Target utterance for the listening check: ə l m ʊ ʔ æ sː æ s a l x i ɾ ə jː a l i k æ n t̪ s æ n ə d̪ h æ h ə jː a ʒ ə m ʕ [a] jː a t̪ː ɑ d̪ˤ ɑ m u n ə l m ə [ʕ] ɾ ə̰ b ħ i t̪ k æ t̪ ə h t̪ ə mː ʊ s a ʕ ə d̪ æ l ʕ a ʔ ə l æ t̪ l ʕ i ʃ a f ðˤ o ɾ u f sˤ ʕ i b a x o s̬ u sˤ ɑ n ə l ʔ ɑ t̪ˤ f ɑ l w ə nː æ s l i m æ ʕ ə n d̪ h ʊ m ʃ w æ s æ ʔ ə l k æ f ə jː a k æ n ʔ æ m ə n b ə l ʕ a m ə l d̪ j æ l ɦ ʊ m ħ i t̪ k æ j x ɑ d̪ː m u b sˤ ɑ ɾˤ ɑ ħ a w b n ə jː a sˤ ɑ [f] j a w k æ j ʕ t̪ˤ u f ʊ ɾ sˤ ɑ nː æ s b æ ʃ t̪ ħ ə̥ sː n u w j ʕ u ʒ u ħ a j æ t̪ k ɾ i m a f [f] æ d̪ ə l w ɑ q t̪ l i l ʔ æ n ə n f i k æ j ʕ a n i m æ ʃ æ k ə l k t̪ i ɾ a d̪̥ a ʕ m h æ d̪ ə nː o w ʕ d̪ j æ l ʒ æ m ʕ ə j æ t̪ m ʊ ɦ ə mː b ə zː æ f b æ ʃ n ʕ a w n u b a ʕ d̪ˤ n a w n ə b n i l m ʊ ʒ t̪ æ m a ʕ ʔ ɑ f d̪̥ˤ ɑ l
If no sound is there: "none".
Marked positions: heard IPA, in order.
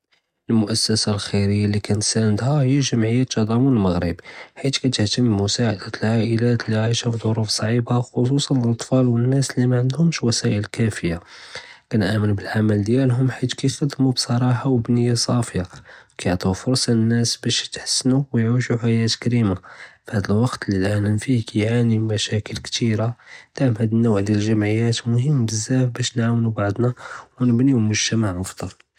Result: ə, ɣ, f, h

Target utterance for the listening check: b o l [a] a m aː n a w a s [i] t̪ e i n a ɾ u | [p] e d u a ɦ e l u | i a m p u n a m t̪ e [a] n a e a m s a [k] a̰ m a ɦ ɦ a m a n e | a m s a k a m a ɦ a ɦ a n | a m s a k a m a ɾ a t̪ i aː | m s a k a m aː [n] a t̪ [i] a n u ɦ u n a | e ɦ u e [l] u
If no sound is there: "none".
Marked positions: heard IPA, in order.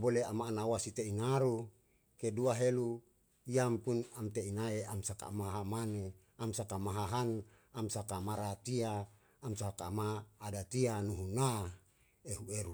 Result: e, i, k, i, k, d, i, ɾ

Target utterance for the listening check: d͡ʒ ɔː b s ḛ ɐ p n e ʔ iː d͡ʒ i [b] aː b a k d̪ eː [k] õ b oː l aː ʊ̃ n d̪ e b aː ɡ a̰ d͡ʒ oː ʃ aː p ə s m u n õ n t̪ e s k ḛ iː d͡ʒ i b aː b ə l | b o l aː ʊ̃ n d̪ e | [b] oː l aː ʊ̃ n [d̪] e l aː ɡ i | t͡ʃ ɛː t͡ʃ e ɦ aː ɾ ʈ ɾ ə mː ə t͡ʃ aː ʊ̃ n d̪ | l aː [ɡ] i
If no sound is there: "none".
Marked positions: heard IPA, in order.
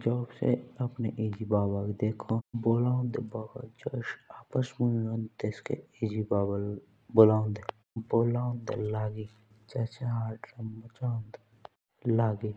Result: b, kʰ, b, d̪, ɡ

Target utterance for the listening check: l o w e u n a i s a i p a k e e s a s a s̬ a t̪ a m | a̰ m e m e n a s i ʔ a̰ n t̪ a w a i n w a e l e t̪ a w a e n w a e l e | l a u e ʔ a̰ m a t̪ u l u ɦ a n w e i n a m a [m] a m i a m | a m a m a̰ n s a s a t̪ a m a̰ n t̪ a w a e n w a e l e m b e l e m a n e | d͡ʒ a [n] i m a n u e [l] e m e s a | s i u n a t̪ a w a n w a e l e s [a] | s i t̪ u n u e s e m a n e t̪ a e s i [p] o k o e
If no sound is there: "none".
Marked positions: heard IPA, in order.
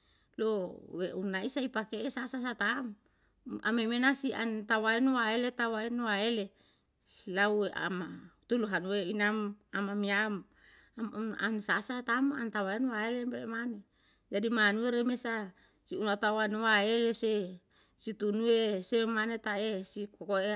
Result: m, d, ɾ, e, k

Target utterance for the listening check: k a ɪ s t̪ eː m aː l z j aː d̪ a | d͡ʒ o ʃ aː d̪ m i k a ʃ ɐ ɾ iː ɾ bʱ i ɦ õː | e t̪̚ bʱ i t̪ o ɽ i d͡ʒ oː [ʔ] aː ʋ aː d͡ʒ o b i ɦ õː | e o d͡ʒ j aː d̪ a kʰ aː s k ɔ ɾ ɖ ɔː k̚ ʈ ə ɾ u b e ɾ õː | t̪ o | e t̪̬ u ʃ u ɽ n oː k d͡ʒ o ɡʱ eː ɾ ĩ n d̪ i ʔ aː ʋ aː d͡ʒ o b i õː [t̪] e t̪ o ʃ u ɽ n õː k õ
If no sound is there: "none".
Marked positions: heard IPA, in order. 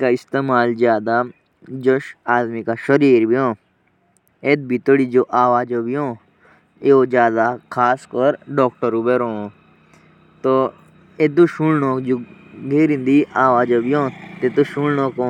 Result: ʔ, t̪

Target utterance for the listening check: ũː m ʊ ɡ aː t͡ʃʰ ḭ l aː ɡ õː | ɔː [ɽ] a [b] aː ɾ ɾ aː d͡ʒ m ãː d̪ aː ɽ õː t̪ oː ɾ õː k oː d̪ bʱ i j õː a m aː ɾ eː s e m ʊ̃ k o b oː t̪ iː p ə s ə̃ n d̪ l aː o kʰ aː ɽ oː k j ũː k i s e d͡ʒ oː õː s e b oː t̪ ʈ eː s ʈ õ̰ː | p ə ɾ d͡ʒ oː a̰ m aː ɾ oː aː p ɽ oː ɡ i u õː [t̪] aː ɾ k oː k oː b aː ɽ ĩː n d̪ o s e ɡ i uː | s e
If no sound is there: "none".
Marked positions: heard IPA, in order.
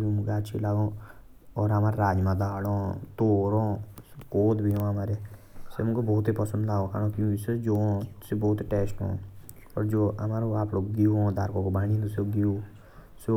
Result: ɾ, m, d̪

